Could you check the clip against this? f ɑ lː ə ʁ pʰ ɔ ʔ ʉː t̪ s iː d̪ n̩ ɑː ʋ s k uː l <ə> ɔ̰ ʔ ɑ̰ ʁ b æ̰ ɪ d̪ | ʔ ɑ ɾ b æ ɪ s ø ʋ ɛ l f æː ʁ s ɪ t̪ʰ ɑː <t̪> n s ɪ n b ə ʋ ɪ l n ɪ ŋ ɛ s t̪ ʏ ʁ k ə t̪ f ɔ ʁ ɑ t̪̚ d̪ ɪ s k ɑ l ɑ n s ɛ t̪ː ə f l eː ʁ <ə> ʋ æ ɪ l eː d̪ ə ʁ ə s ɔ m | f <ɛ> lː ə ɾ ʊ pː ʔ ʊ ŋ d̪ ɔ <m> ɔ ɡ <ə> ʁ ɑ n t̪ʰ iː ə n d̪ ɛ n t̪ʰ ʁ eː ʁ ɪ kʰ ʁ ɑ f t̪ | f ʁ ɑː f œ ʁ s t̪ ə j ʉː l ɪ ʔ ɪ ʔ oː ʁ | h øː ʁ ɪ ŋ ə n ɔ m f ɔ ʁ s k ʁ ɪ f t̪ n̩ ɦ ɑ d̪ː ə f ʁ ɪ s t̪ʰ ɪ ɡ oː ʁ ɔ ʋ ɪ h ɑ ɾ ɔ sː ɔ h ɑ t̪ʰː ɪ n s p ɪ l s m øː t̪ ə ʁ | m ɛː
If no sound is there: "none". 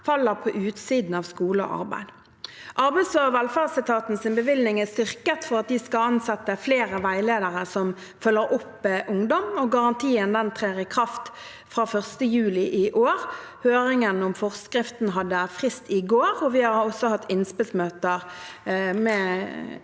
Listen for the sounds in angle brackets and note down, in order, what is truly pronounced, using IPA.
ə, t̪, ə, œ, m, ɑ

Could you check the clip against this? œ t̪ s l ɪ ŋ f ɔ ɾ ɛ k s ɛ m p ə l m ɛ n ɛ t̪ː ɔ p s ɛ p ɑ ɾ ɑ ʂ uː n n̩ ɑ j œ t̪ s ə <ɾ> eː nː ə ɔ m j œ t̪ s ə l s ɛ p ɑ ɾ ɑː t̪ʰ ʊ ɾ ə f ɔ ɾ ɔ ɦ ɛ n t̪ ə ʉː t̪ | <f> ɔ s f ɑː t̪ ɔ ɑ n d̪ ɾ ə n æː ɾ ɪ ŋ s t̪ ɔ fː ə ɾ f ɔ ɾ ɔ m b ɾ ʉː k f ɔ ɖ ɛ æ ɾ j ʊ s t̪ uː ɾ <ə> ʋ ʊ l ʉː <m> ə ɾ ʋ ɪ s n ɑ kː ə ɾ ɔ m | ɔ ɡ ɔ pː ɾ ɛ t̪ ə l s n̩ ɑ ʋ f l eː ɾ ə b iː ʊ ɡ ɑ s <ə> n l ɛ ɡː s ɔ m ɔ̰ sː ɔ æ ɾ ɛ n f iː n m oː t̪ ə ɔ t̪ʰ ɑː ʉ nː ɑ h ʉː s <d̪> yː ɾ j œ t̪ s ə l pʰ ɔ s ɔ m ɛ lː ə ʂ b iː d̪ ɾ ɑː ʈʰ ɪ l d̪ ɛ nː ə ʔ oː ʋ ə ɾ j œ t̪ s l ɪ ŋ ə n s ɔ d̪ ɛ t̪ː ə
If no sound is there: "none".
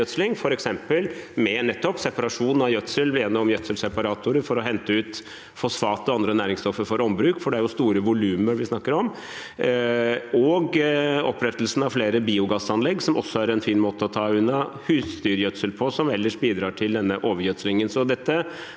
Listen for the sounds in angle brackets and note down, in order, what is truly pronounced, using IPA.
l, f, ə, m, ɑ, t̪

